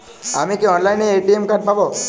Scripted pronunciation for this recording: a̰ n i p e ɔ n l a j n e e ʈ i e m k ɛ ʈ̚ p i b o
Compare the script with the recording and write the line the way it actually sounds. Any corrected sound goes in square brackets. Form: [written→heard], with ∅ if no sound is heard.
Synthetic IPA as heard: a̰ [n→m] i [p→k] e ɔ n l a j n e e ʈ i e m k [ɛ→a] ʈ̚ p [i→a] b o